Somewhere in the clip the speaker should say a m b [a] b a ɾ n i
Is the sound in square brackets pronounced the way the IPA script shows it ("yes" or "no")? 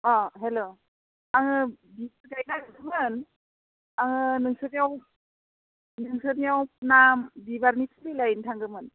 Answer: no